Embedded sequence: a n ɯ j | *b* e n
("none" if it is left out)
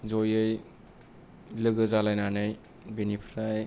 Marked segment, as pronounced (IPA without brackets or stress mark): b